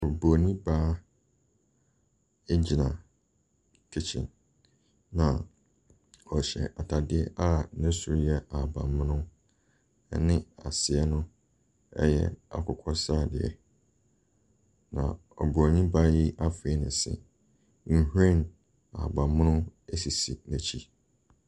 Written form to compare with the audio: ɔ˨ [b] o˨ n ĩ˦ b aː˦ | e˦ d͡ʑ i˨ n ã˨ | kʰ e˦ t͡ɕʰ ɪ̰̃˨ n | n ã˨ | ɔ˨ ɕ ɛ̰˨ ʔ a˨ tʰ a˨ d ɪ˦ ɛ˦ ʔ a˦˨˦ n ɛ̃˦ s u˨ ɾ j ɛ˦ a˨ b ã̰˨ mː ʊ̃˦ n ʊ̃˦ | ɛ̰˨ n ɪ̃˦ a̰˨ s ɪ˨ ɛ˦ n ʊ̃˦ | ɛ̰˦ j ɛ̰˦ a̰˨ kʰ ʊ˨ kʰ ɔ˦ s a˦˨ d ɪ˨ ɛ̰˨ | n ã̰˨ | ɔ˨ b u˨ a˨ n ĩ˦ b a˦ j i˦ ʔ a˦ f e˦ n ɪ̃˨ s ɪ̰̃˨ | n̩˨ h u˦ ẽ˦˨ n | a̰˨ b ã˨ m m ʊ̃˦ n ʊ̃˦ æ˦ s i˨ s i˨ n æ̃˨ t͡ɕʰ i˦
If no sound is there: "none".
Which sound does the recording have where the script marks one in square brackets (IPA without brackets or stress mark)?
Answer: b